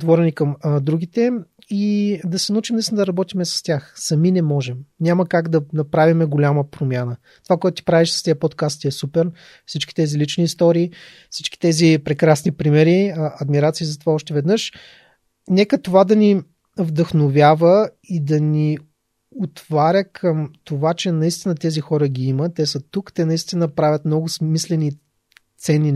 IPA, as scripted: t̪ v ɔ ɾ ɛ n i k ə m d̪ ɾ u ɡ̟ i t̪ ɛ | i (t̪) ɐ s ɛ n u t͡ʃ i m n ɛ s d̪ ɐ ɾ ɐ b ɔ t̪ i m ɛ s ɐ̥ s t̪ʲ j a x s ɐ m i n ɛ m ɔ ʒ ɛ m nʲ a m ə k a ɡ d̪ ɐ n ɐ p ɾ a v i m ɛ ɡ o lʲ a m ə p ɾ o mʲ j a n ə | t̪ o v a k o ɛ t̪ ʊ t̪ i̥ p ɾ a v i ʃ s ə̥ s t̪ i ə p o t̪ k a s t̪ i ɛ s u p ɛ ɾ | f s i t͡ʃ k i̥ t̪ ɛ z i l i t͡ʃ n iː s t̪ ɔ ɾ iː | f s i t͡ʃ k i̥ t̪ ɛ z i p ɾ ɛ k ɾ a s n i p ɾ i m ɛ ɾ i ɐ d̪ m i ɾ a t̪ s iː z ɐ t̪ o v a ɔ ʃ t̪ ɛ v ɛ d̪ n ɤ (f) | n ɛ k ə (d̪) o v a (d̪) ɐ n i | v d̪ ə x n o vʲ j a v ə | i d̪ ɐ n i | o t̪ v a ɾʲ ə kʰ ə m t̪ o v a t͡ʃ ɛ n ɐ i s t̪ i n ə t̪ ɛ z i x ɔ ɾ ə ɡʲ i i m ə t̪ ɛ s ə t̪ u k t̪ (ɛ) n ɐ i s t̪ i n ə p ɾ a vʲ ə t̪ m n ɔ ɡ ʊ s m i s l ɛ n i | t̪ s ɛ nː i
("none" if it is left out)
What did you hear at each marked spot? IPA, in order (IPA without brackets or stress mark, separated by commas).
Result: d̪, ʃ, t̪, d̪, ɛ